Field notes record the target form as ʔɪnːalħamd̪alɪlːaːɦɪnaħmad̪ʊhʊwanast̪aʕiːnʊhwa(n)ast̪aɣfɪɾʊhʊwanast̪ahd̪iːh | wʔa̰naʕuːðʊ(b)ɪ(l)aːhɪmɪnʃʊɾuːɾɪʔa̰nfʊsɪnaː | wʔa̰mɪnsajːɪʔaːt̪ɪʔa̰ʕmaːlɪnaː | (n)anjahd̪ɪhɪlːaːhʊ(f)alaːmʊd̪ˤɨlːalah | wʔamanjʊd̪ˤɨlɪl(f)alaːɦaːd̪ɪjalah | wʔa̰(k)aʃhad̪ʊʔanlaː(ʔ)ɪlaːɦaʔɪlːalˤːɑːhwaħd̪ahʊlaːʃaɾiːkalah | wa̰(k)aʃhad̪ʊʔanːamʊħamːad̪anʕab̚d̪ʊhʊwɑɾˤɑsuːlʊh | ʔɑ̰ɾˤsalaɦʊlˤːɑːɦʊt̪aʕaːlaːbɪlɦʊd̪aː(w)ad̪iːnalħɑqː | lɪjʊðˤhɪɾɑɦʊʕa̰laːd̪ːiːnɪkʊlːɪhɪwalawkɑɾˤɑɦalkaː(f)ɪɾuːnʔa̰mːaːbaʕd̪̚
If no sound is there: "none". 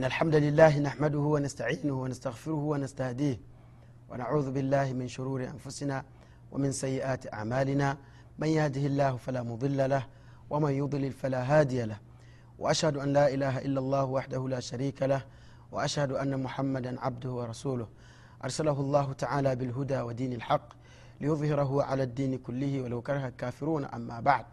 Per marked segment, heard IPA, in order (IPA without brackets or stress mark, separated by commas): n, b, lː, m, f, f, ʔ, ʔ, ʔ, w, f